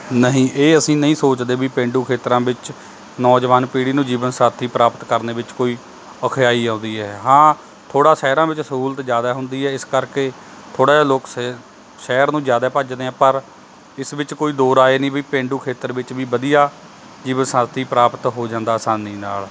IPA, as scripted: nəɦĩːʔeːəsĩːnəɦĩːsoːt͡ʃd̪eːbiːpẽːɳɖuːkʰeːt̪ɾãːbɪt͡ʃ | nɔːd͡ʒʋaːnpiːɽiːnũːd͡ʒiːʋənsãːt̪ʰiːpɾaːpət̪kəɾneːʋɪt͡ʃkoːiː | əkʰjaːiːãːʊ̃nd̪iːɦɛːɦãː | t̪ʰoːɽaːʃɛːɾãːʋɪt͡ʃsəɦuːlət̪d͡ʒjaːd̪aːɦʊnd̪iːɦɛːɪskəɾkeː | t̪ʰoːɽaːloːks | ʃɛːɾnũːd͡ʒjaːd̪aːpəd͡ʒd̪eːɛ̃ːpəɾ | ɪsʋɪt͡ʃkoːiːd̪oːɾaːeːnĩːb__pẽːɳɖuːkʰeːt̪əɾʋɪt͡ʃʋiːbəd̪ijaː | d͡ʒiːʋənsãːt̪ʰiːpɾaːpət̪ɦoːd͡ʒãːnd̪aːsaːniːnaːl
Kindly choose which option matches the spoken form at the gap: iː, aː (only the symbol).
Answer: iː